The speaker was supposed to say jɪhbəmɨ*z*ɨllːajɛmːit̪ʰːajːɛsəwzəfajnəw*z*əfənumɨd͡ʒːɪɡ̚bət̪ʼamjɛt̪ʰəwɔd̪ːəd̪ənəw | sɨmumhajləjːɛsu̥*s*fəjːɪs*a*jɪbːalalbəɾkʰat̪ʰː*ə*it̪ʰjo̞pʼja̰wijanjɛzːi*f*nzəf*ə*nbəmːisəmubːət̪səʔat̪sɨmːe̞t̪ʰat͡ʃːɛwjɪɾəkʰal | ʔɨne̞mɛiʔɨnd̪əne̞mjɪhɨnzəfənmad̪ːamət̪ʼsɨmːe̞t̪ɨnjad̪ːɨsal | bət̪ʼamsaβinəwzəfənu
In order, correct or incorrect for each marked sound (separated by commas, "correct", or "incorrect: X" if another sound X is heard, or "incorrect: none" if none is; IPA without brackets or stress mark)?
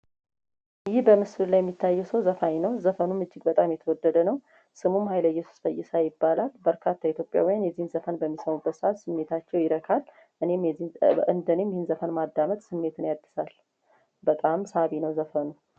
incorrect: s, correct, correct, correct, incorrect: a, incorrect: h, correct